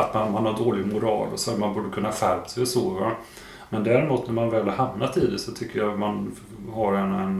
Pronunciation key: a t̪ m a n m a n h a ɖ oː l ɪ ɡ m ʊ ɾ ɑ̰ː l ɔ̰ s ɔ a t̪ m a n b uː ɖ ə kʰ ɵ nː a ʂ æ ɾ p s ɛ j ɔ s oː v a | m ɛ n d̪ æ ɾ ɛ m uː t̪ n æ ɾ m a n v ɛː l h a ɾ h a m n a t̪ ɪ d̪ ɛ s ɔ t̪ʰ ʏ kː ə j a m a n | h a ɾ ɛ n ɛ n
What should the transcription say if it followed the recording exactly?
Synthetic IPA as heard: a t̪ m a n m a n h a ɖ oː l ɪ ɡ m ʊ ɾ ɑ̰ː l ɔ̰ s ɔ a t̪ m a n b uː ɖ ə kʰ ɵ nː a f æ ɾ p s ɛ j ɔ s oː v a | m ɛ n d̪ æ ɾ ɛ m uː t̪ n æ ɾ m a n v ɛː l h a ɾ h a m n a t̪ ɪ d̪ ɛ s ɔ t̪ʰ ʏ kː ə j a m a n | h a ɾ ɛ n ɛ n